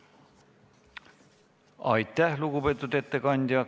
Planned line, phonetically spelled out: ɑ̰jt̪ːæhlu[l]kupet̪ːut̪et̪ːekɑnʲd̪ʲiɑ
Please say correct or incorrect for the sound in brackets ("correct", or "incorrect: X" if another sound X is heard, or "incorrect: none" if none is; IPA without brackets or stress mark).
incorrect: none